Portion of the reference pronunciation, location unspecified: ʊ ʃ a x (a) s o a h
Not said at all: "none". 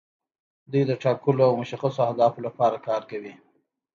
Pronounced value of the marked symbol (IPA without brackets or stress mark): a